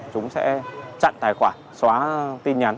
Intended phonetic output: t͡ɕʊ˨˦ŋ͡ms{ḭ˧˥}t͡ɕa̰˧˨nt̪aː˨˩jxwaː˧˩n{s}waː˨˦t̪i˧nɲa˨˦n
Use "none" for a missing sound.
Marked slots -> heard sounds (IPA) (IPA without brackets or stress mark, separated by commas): ɛ̰˧˥, s